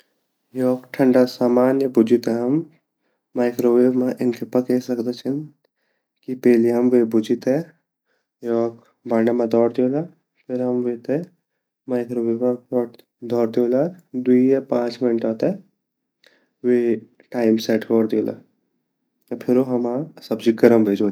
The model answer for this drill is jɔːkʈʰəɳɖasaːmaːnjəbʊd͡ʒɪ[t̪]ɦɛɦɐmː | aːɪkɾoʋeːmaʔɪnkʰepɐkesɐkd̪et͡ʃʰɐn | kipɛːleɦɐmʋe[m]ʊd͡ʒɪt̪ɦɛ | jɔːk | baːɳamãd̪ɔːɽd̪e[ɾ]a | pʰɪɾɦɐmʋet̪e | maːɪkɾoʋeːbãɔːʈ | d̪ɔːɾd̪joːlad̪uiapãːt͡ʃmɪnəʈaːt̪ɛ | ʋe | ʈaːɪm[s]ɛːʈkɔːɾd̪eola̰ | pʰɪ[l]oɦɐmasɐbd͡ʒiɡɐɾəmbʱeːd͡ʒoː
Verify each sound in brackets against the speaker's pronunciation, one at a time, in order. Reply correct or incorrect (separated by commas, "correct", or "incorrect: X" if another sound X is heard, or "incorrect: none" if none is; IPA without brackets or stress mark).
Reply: correct, incorrect: b, incorrect: l, correct, incorrect: ɾ